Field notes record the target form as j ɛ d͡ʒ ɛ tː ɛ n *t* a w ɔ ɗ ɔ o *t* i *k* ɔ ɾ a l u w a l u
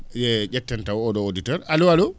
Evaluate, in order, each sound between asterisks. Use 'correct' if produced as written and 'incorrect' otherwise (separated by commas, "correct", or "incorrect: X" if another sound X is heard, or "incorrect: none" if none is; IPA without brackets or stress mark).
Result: correct, incorrect: d, incorrect: t